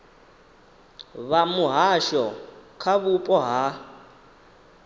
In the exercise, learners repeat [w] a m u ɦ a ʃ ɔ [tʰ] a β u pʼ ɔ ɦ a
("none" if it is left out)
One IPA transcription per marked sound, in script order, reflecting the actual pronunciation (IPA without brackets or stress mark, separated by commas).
β, kʰ